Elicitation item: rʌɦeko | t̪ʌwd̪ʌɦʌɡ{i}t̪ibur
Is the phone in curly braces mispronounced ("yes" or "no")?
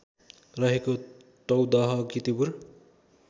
no